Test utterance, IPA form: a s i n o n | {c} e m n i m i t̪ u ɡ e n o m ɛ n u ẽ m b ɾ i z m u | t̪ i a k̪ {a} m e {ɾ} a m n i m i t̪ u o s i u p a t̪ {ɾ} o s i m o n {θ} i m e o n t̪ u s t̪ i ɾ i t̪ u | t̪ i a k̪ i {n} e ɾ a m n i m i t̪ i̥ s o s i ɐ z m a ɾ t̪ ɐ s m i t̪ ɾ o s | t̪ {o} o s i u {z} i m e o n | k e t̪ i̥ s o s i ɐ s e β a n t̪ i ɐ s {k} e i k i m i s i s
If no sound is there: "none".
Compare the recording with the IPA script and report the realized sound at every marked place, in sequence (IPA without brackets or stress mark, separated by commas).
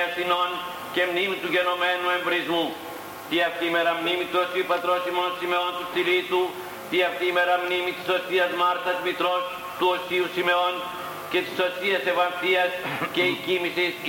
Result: k, i, ɾ, ɾ, s, m, u, s, k